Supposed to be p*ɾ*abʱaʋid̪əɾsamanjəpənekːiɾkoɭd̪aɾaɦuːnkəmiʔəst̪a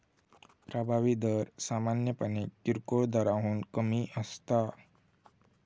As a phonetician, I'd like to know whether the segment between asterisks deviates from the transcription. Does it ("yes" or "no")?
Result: no